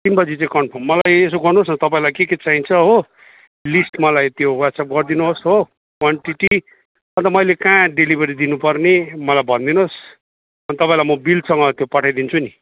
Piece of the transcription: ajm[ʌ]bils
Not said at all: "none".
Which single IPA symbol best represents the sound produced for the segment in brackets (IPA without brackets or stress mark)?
ʌ